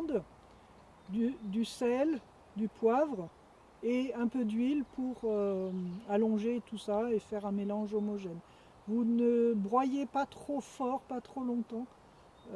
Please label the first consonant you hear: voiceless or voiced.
voiced